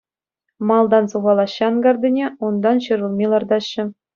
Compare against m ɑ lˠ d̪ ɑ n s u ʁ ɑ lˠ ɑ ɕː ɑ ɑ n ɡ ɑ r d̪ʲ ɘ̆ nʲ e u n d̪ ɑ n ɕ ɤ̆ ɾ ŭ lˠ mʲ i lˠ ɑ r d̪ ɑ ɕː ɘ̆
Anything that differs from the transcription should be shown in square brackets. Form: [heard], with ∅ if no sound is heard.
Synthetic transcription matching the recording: m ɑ lˠ d̪ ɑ n s u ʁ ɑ lˠ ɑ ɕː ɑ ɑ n ɡ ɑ r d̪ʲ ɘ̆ nʲ e u n d̪ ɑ n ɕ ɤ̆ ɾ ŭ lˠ mʲ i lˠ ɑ r d̪ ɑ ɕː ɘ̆